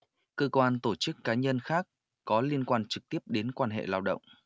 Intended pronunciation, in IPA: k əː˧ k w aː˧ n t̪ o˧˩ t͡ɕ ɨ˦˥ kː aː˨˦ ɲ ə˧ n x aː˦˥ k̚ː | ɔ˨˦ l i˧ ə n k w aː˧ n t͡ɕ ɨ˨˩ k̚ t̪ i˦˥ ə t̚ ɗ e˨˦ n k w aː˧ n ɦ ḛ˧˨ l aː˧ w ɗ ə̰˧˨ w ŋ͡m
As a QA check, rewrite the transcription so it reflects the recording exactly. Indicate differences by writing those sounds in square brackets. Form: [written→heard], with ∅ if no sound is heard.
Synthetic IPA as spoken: k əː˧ k w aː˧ n t̪ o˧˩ t͡ɕ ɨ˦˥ kː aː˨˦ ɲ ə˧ n x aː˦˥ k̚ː | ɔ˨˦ l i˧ ə n k w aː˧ n t͡ɕ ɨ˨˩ k̚ t̪ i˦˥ ə [t̚→p̚] ɗ e˨˦ n k w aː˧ n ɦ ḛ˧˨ l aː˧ w ɗ ə̰˧˨ w ŋ͡m